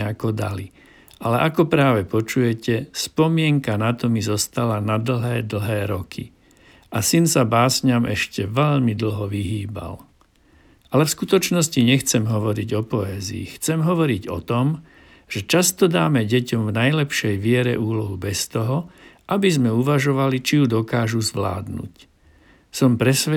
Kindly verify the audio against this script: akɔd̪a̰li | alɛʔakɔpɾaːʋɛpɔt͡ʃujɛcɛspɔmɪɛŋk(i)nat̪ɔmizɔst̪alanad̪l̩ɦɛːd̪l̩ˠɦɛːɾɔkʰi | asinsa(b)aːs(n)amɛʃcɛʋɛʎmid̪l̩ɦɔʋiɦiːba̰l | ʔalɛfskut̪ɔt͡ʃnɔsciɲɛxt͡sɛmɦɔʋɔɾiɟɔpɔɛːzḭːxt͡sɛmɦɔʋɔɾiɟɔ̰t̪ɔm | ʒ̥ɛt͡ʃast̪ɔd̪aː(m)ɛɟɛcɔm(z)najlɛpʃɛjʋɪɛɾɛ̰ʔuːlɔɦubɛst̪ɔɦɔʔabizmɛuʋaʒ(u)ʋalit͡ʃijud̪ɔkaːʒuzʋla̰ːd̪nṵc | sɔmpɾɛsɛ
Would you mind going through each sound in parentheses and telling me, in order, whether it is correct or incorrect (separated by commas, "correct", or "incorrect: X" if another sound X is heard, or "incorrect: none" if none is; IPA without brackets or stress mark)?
incorrect: a, correct, incorrect: ɲ, correct, incorrect: v, incorrect: ɔ